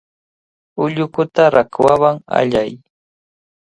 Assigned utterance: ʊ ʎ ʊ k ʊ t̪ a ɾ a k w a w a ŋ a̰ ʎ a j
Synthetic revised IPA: ʊ ʎ ʊ k ʊ t̪ a ɾ a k w a w a ŋ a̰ ʎ a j